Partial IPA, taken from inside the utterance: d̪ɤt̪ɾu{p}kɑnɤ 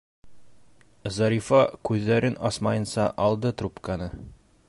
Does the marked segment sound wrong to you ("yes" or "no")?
no